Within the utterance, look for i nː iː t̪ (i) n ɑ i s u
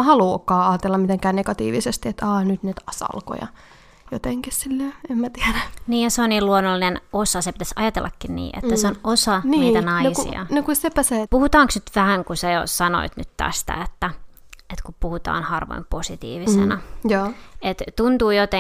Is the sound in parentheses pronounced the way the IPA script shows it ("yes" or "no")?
no